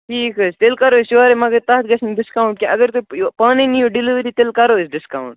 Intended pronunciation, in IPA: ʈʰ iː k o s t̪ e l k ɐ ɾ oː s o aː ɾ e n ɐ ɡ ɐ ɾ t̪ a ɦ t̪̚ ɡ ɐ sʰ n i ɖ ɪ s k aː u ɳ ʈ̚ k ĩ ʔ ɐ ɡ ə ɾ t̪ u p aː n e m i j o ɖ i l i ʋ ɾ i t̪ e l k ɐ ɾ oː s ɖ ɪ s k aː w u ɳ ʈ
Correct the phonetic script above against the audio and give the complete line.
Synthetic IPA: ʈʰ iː k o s t̪ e l k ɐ ɾ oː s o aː ɾ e m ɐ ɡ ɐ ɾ t̪ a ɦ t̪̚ ɡ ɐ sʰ n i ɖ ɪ s k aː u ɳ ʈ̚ k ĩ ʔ ɐ ɡ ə ɾ t̪ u p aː n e n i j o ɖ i l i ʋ ɾ i t̪ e l k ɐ ɾ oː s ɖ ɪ s k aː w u ɳ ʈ